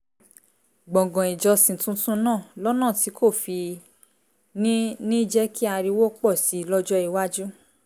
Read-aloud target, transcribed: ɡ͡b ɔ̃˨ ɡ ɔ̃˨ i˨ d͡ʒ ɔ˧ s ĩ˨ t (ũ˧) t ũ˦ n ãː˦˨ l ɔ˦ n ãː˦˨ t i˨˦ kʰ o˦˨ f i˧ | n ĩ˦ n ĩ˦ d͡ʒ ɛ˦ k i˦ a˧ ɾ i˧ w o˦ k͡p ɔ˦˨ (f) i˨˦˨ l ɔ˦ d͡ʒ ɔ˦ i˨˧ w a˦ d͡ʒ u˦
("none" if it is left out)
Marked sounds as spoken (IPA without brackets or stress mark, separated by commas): ũ˧, s